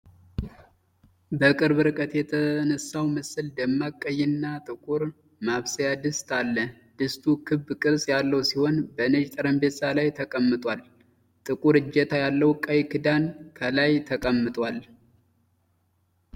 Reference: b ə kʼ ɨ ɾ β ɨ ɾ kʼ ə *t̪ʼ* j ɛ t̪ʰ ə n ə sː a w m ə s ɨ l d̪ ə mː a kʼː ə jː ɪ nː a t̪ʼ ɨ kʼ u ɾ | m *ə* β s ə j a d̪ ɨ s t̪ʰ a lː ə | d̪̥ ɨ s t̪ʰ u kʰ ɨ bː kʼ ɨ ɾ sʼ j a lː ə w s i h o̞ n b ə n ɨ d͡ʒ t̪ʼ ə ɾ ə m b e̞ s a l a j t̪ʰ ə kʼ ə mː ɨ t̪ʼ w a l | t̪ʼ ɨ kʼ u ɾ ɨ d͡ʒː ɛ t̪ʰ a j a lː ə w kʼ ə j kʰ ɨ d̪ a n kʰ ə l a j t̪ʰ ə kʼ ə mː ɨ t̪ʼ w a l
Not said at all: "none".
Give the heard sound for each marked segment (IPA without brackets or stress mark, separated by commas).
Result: t̪, a